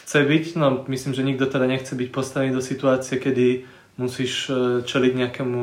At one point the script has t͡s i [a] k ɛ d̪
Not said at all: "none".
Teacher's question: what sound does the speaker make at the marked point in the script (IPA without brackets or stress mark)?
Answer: ɛ